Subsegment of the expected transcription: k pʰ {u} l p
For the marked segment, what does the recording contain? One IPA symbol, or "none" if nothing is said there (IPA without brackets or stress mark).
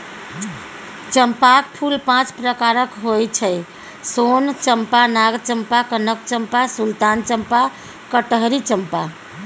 u